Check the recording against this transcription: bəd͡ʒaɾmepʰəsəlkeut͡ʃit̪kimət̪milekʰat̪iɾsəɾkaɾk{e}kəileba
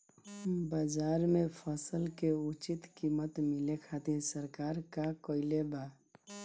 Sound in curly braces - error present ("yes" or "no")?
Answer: yes